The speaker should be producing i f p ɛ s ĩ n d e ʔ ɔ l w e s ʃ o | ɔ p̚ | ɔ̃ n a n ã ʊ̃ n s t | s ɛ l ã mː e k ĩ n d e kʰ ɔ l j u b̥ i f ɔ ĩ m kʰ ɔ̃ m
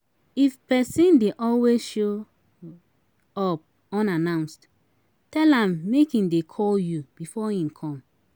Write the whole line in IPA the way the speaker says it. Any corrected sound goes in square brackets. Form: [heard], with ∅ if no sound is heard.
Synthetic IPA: i f p ɛ s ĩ n d e ʔ ɔ l w e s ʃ o | ɔ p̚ | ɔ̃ n a n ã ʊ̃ n s t | [t] ɛ l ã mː e k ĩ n d e kʰ ɔ l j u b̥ i f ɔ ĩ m kʰ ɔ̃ m